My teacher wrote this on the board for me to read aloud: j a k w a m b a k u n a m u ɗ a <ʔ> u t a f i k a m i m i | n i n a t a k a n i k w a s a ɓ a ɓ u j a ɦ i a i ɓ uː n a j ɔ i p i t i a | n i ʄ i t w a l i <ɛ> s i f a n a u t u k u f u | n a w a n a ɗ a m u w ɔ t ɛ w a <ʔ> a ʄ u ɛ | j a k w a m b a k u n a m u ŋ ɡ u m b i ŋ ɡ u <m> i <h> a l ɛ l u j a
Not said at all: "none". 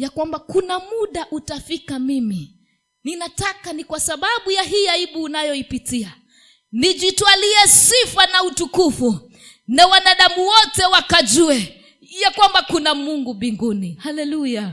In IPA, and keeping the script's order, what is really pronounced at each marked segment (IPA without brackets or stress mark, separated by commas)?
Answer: ʔ, ɛ, k, n, h